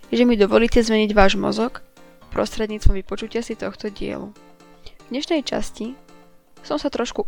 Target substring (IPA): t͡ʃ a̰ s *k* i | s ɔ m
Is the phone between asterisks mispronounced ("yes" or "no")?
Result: yes